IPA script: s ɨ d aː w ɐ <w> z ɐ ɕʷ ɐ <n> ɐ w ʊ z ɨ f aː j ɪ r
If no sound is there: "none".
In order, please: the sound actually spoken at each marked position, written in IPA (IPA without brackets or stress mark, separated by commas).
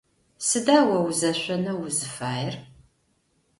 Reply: w, n